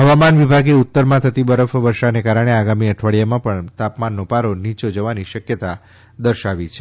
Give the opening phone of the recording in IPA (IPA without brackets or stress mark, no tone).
ɦ